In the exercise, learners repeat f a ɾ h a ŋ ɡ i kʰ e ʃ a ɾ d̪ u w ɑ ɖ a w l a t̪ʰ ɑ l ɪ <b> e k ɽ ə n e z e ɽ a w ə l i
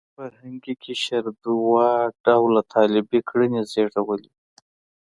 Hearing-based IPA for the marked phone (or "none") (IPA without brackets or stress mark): b